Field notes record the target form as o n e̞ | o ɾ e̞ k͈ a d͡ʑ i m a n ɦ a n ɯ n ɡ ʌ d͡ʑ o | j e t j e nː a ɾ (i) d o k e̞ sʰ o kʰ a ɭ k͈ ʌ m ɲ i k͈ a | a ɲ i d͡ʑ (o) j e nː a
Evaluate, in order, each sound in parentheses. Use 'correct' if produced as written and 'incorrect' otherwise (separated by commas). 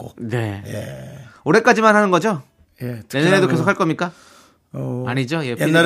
incorrect, correct